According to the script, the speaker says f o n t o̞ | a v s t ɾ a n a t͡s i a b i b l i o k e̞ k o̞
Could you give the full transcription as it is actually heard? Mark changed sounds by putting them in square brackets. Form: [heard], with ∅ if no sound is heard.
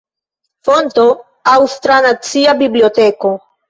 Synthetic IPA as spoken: f o n t o̞ | a [w] s t ɾ a n a t͡s i a b i b l i o [t] e̞ k o̞